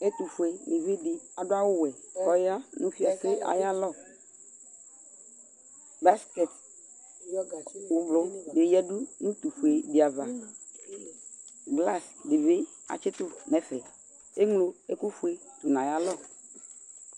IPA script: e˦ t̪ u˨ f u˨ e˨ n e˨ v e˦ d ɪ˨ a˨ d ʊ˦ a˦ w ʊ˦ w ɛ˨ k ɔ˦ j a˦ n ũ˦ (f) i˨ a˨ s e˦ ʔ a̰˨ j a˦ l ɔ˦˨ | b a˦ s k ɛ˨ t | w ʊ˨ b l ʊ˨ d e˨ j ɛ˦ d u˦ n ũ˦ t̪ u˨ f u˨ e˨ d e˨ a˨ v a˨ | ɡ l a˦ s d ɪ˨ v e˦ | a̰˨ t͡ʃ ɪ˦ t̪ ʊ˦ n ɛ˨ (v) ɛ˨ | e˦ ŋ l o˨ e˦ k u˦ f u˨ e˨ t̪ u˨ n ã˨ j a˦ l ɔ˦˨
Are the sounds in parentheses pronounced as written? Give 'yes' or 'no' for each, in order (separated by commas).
yes, no